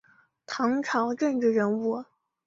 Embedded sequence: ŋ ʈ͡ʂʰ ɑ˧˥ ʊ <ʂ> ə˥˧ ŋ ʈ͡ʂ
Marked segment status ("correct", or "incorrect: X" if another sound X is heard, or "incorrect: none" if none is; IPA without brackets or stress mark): incorrect: ʈ͡ʂ